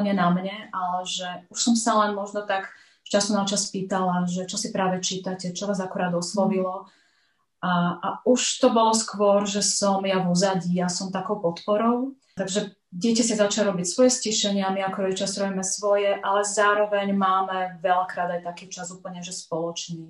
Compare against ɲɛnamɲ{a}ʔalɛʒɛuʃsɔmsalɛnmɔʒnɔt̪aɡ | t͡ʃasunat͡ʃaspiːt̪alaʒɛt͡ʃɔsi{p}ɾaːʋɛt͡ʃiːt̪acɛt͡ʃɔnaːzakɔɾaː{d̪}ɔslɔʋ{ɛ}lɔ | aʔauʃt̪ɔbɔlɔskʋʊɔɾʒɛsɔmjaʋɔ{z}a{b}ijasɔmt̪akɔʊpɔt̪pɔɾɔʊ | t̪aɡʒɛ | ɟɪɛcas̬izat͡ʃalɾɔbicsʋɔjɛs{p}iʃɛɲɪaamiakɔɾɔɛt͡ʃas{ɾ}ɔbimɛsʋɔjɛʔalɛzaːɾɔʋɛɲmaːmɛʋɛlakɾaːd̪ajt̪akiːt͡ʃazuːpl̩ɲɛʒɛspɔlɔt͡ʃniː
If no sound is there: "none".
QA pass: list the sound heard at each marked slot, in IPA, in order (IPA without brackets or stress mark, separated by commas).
ɛ, p, d̪, i, z, ɟ, c, ɾ